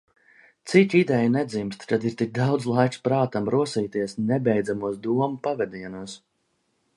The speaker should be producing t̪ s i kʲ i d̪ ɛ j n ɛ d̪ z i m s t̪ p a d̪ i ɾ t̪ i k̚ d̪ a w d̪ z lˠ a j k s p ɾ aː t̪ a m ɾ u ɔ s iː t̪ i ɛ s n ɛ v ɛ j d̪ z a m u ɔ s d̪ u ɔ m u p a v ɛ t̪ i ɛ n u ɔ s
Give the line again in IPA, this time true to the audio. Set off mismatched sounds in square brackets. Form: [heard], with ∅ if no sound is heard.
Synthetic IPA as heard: t̪ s i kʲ i d̪ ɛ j n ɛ d̪ z i m s t̪ [k] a d̪ i ɾ t̪ i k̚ d̪ a w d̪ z lˠ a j k s p ɾ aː t̪ a m ɾ u ɔ s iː t̪ i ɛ s n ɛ [b] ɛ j d̪ z a m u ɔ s d̪ u ɔ m u p a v ɛ [d̪] i ɛ n u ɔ s